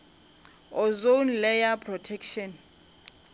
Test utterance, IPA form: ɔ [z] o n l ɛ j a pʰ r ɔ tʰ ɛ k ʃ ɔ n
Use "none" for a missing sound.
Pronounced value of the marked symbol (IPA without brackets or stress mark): z